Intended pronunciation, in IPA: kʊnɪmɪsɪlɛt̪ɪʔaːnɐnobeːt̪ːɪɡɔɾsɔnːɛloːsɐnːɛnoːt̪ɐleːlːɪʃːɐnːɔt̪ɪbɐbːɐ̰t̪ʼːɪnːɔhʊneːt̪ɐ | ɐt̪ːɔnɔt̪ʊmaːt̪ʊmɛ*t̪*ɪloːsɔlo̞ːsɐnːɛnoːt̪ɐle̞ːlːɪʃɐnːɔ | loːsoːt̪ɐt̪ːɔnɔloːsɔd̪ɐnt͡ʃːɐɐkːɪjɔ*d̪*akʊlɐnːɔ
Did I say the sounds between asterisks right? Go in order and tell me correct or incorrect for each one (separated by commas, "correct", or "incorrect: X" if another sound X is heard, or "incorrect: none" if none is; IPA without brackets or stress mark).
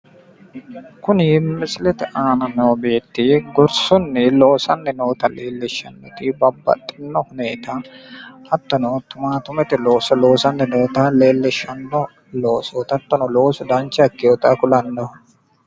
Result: correct, incorrect: t̪